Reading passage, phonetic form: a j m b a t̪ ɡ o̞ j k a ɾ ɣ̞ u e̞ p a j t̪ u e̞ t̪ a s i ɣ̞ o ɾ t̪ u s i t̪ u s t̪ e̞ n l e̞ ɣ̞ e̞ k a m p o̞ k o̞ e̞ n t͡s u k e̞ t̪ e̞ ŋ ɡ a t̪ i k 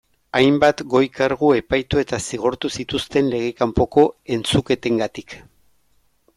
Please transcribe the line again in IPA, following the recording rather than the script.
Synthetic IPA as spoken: a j m b a t̪ ɡ o̞ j k a ɾ ɣ̞ u e̞ p a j t̪ u e̞ t̪ a s i ɣ̞ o ɾ t̪ u s i t̪ u s t̪ e̞ n l e̞ ɣ̞ e̞ k a m p o̞ k o̞ e̞ n t͡s u k e̞ t̪ e̞ ŋ ɡ a t̪ i k